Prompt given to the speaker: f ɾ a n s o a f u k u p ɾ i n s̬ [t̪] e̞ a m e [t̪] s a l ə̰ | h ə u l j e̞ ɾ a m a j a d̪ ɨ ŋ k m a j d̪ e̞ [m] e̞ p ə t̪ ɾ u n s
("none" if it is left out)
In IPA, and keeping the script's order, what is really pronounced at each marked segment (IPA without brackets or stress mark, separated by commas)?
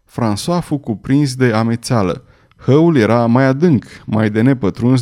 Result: d̪, t̪, n